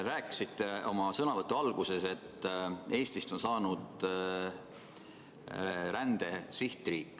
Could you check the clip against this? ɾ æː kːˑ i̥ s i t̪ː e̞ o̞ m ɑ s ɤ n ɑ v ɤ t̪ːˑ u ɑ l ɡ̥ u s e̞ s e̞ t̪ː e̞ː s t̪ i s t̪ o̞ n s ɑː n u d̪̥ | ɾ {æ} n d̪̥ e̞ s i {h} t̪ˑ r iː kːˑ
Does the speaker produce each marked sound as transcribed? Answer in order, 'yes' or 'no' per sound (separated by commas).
yes, yes